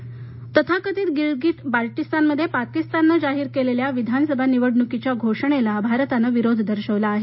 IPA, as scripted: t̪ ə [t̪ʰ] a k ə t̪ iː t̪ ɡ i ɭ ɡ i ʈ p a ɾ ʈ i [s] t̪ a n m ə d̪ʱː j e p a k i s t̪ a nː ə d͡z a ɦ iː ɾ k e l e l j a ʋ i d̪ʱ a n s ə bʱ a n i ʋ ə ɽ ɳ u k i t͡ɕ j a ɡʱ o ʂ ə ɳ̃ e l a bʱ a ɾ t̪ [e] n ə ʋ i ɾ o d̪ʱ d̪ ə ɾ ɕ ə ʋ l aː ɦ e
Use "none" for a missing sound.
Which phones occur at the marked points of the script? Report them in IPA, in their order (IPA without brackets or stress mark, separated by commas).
t̪ʰ, s, a